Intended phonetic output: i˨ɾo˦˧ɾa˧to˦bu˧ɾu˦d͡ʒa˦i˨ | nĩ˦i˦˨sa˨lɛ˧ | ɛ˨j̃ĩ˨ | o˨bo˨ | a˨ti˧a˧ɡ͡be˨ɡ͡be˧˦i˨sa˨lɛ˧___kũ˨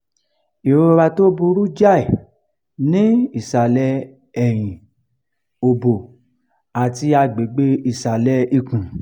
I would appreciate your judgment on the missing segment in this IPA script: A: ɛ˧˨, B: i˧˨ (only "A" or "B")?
B